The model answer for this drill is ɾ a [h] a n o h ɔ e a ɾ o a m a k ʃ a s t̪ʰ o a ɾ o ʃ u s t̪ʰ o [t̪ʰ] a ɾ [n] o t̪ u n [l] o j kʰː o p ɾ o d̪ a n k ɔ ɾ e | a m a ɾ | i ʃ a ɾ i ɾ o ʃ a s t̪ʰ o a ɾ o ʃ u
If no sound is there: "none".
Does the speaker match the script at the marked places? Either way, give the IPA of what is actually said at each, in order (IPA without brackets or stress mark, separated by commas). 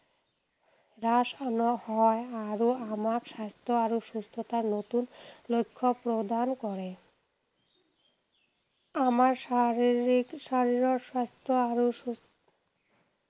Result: ʃ, t̪, n, l